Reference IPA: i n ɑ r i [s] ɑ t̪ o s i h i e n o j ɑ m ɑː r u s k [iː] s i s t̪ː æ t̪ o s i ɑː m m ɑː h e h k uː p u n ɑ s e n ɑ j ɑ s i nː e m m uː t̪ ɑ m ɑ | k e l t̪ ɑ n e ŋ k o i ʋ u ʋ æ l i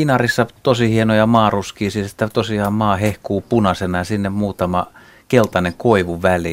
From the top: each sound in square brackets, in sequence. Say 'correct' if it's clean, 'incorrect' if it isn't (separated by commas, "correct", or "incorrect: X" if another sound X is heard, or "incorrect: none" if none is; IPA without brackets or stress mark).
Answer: incorrect: sː, correct